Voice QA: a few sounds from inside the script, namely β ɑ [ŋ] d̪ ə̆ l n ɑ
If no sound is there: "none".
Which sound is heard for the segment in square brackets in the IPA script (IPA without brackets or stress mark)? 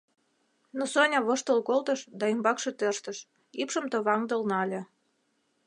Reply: ŋ